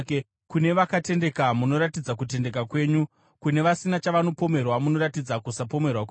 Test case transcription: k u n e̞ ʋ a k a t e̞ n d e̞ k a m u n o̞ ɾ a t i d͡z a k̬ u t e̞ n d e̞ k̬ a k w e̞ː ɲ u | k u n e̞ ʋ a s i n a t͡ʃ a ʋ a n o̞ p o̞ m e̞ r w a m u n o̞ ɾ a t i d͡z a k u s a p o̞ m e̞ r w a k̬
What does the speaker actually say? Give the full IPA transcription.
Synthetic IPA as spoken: k u n e̞ ʋ a k a t e̞ n d e̞ k a m u n o̞ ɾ a t i d͡z a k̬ u t e̞ n d e̞ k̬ a k w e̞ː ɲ u | k u n e̞ ʋ a s i n a t͡ʃ a ʋ a n o̞ p o̞ m e̞ r w a m u n o̞ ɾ a t i d͡z a k u s a p o̞ m e̞ r w a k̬